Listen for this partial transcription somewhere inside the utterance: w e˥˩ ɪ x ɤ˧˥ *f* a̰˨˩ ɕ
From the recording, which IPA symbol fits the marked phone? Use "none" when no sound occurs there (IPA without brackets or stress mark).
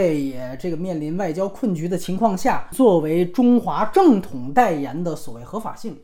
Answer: f